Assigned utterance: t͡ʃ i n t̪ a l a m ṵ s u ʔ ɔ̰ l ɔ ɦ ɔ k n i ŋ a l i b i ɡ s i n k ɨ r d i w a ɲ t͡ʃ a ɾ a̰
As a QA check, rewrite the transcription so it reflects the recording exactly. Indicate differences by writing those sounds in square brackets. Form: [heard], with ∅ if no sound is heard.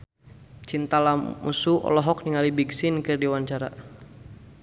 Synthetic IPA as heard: t͡ʃ i n t̪ a l a m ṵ s u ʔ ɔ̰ l ɔ ɦ ɔ k n i ŋ a l i b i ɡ s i n k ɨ r d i w a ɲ t͡ʃ a ɾ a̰